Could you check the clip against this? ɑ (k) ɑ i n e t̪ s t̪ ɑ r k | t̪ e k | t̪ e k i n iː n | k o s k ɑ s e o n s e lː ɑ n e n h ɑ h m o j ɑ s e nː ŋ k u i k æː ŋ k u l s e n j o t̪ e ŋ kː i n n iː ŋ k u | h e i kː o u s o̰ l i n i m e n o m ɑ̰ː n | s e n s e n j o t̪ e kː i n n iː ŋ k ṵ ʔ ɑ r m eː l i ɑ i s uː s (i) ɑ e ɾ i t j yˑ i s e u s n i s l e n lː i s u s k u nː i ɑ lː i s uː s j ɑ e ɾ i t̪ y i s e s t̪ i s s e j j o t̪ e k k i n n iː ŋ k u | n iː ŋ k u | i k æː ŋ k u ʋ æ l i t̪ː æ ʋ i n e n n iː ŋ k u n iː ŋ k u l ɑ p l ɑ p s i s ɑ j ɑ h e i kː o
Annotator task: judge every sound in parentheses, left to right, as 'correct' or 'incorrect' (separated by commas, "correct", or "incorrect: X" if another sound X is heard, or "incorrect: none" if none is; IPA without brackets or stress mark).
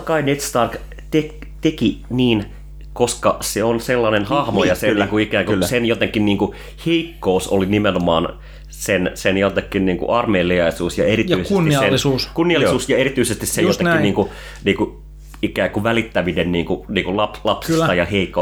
correct, incorrect: j